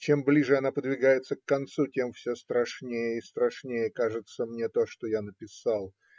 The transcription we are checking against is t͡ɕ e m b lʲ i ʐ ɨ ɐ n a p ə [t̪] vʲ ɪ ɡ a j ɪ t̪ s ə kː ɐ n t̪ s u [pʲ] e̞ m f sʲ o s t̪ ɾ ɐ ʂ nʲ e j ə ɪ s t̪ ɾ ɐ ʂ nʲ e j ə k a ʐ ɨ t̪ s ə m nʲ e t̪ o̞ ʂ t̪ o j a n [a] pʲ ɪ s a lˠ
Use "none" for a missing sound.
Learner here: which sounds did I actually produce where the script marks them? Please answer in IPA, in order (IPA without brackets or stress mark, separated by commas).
d̪, tʲ, ə